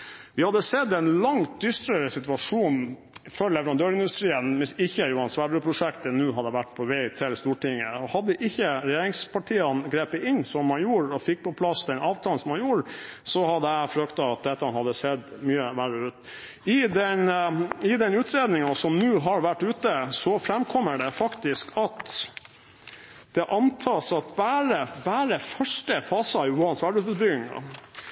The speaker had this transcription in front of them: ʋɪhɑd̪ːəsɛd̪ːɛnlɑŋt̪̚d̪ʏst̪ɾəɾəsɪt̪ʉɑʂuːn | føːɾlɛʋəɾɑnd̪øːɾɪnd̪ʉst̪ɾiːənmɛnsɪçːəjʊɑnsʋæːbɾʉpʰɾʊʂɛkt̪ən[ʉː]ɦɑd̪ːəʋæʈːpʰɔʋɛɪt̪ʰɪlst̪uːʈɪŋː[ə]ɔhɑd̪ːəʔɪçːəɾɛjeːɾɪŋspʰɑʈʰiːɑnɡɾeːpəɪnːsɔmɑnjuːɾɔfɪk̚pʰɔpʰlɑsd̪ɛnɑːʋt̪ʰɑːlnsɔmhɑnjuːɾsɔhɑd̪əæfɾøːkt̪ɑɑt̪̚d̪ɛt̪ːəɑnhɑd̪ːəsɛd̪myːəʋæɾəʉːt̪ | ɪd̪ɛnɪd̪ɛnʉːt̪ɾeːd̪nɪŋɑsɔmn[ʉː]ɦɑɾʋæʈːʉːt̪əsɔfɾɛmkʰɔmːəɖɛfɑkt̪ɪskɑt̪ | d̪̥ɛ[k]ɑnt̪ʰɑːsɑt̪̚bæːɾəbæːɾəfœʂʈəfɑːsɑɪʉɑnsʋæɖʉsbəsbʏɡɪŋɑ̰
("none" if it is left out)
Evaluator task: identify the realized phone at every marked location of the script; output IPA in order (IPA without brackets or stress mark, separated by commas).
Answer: ʉː, ə, ʉː, ʔ